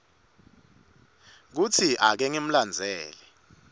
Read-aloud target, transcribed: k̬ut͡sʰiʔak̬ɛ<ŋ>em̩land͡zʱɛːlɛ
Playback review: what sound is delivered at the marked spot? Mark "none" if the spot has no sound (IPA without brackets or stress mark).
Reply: ŋ